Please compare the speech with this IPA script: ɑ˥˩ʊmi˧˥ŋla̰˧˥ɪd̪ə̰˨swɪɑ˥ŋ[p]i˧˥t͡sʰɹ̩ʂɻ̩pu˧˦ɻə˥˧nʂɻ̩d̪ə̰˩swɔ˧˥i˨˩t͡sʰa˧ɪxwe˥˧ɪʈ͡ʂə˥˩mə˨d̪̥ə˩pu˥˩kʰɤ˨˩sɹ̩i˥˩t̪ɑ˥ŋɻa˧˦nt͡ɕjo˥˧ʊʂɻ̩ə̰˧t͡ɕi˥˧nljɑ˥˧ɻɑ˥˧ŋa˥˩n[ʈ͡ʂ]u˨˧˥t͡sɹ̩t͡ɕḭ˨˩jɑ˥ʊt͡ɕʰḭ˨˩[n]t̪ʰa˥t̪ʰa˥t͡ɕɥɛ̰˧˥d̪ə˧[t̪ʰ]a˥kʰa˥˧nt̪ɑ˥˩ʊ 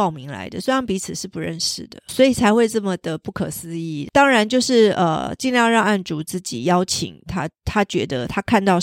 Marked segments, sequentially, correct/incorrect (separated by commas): correct, correct, incorrect, correct